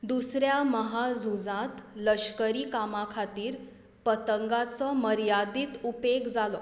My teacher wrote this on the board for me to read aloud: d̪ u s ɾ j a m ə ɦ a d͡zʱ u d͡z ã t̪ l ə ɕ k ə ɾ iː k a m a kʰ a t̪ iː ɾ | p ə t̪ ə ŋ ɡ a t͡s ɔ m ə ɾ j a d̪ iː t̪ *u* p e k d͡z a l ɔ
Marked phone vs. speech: correct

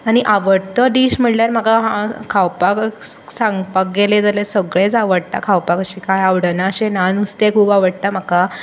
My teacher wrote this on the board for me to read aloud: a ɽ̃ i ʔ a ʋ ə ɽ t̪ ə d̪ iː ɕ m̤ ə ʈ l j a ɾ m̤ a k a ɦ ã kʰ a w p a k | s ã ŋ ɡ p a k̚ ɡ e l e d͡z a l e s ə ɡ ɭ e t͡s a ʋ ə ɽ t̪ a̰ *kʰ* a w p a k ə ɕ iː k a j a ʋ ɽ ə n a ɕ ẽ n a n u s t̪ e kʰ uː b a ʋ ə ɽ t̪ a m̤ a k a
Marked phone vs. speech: correct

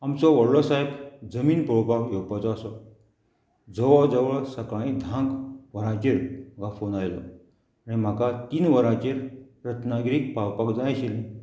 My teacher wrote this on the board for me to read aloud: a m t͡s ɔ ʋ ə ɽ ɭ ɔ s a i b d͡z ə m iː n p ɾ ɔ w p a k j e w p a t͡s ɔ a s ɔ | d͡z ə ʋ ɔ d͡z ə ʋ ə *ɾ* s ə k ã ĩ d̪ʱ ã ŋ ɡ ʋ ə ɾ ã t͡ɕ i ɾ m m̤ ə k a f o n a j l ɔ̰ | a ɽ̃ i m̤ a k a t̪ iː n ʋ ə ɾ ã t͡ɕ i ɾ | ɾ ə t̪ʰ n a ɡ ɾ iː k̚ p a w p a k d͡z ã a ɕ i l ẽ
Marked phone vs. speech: incorrect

